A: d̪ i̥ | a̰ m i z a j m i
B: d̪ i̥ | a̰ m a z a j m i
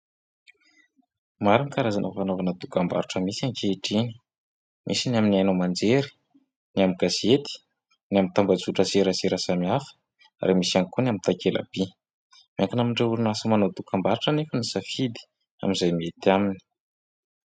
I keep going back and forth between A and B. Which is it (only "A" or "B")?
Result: A